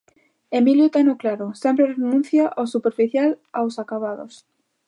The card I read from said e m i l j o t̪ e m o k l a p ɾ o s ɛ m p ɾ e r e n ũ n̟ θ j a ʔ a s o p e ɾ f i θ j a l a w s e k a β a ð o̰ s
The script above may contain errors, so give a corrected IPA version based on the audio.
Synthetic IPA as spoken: e m i l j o t̪ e n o k l a ɾ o s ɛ m p ɾ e r e n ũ n̟ θ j a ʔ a s u p e ɾ f i θ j a l a w s a k a β a ð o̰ s

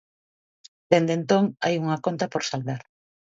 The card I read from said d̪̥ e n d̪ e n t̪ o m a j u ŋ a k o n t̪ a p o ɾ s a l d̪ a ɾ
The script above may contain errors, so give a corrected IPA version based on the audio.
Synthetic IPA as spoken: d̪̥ e n d̪ e n t̪ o ŋ a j u ŋ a k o n t̪ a p o ɾ s a l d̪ a ɾ

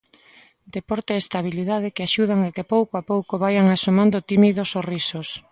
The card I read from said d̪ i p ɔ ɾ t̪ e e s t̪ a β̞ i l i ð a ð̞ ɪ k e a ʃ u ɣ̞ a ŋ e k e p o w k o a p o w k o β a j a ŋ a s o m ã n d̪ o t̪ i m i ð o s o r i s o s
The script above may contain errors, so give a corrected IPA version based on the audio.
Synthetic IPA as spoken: d̪ e p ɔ ɾ t̪ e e s t̪ a β̞ i l i ð a ð̞ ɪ k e a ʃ u ð̞ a ŋ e k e p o w k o a p o w k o β a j a ŋ a s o m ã n d̪ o t̪ i m i ð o s o r i s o s

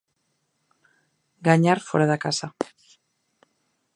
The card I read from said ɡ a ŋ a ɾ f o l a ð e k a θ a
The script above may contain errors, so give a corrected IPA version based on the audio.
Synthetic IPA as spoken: ɡ a ɲ a ɾ f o ɾ a ð a k a s a

